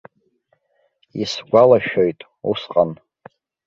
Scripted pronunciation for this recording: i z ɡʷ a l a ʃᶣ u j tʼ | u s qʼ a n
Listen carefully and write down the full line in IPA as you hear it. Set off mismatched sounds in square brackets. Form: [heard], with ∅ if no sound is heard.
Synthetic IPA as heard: i [s] ɡʷ a l a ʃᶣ [o] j tʼ | u s qʼ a n